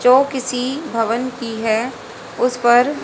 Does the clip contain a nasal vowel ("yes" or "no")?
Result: no